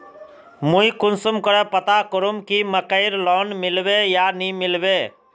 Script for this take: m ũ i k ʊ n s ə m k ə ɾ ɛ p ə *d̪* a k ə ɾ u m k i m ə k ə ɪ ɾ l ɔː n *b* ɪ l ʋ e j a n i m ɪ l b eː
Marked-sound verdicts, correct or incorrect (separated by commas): incorrect, incorrect